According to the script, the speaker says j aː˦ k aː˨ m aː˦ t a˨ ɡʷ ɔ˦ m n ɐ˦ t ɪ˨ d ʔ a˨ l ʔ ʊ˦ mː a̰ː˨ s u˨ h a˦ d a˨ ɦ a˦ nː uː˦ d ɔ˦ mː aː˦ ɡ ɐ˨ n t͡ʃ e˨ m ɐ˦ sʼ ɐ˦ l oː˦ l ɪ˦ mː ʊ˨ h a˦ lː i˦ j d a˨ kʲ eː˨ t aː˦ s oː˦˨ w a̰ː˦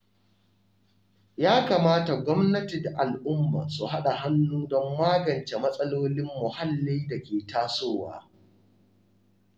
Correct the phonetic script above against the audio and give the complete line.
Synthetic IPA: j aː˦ k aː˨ m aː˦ t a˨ ɡʷ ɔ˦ m n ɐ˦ t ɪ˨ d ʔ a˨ l ʔ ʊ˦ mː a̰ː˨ s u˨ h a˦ ɗ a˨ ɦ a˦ nː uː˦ d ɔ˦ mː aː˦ ɡ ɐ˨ n t͡ʃ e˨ m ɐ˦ sʼ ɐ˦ l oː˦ l ɪ˦ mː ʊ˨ h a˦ lː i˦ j d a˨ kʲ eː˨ t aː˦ s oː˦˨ w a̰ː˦